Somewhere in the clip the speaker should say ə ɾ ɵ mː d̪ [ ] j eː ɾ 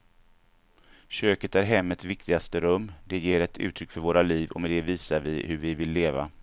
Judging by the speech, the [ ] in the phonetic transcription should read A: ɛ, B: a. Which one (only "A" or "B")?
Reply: A